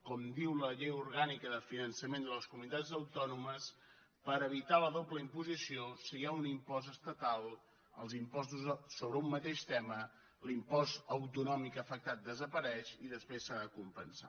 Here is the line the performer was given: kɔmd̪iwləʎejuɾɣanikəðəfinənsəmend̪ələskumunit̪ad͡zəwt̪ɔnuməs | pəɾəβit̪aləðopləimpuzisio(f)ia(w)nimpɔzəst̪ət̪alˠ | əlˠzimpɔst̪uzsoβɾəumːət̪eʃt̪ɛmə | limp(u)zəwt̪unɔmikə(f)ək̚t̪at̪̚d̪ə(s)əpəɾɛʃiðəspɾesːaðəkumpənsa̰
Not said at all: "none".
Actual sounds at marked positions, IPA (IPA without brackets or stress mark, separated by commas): s, u, ɔ, f, z